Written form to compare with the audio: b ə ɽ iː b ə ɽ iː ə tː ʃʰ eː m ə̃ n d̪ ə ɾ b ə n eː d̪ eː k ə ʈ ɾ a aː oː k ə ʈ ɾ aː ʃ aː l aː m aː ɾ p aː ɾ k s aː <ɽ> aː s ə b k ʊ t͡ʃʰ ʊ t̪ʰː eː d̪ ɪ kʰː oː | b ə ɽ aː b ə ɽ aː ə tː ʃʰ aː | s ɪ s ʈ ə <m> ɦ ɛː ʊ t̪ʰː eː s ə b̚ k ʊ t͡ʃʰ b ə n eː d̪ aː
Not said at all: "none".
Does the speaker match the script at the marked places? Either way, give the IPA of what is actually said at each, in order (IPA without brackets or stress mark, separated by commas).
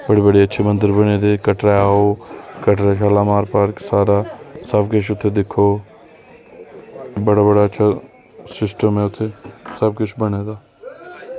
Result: ɾ, m